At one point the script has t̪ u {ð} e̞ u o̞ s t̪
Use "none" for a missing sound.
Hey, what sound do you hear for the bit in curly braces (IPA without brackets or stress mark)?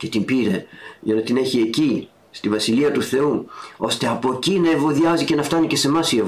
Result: θ